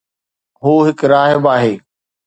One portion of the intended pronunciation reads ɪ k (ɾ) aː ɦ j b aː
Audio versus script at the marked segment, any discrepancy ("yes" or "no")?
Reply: no